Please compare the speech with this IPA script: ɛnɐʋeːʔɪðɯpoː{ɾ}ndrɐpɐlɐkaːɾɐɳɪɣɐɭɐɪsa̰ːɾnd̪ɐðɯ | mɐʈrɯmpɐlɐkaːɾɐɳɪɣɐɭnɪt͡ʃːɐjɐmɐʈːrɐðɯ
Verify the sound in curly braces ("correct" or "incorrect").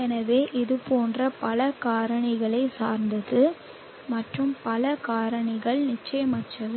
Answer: incorrect